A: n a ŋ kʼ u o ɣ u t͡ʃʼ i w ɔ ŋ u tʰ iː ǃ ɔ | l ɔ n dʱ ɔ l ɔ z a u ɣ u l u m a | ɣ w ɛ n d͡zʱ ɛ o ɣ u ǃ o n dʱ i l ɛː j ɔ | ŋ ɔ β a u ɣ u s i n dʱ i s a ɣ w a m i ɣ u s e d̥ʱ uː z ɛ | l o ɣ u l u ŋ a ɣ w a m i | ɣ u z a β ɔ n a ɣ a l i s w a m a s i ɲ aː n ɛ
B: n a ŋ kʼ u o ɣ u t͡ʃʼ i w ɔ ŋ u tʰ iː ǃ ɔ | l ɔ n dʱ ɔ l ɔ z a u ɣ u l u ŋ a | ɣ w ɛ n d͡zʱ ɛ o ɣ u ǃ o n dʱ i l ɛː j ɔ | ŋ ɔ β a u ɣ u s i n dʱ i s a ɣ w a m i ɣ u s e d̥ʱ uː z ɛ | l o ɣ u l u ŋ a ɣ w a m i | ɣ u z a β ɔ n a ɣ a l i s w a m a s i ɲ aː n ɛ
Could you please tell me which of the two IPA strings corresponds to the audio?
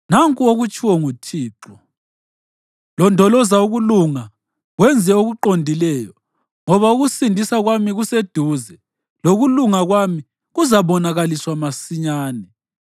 B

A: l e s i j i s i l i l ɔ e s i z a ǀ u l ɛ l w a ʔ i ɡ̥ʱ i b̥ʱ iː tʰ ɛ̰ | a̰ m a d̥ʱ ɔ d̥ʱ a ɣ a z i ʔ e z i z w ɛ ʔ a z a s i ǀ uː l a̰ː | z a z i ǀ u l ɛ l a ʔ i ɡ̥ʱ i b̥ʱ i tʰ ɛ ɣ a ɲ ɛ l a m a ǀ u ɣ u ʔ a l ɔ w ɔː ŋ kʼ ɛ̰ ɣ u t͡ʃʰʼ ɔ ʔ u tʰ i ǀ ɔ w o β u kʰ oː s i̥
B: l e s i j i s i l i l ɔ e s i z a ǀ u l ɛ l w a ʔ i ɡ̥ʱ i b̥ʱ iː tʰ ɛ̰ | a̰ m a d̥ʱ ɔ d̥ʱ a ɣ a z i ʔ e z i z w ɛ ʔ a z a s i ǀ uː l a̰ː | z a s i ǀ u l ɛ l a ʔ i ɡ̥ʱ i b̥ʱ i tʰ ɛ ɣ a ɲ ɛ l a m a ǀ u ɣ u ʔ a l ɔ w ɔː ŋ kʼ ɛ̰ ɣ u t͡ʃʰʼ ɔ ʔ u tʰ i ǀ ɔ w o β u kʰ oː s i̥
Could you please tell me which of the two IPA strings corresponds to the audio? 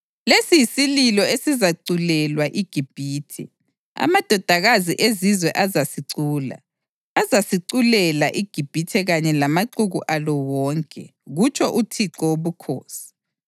B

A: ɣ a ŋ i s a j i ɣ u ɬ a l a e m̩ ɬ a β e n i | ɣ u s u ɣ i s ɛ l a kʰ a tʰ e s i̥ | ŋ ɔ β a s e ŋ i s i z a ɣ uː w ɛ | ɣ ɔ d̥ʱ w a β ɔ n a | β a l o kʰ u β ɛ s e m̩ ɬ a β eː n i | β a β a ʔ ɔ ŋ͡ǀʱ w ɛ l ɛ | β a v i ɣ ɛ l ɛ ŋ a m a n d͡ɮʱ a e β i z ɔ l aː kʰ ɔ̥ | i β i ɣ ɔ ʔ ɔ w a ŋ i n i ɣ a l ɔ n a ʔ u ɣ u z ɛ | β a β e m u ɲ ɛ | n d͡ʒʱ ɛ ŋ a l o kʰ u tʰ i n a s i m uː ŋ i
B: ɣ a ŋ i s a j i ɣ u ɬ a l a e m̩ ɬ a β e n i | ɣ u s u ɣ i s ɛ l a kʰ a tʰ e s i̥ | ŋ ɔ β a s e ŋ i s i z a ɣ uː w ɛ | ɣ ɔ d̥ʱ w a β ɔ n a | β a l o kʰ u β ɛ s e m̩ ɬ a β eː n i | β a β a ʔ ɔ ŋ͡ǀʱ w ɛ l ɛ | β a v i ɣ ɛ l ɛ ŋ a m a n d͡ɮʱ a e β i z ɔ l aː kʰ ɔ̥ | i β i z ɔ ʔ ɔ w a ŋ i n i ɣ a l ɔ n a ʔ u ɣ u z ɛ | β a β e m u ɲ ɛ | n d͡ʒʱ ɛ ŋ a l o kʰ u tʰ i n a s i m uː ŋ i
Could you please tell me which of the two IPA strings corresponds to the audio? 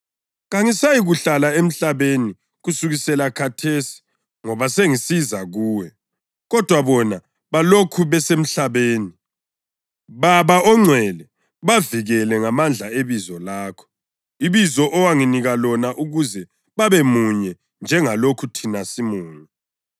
B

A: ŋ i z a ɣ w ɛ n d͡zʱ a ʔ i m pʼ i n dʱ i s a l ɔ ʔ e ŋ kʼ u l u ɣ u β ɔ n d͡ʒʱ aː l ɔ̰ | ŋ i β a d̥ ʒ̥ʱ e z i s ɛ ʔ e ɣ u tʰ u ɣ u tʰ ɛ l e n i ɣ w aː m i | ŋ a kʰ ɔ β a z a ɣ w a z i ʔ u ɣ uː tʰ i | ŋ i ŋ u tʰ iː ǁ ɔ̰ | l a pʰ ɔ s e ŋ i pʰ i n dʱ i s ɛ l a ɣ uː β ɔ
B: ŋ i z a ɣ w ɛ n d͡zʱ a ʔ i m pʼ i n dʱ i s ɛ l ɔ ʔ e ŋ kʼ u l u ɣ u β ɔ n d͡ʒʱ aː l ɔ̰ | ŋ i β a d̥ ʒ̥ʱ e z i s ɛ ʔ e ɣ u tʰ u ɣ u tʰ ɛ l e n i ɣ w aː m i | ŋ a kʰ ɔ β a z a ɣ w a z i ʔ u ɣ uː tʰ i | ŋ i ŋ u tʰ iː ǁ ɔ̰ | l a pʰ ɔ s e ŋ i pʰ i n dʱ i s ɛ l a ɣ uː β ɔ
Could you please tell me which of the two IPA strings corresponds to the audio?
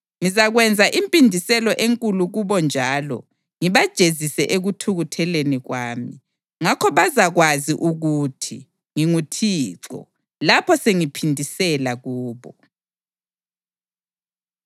B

